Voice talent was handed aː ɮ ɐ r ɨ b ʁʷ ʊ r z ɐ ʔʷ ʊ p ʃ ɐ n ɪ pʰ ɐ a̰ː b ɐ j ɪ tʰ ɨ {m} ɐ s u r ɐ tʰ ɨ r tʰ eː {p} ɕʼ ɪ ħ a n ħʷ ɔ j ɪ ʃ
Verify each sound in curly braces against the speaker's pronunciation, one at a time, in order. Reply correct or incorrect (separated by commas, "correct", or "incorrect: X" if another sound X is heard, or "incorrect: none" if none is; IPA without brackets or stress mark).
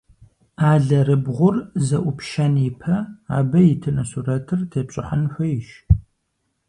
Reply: incorrect: n, correct